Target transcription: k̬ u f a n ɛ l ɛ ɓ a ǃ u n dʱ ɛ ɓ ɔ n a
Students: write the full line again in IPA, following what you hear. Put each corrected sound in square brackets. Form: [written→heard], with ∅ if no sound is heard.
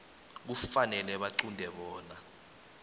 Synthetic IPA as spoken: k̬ u f a n ɛ l ɛ ɓ a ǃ u n dʱ ɛ ɓ [ɔ→ɔː] n a